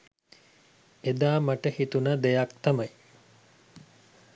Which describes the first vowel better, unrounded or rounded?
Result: unrounded